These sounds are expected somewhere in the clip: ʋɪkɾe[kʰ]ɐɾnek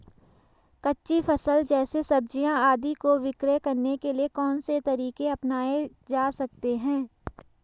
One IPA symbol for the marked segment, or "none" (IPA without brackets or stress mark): k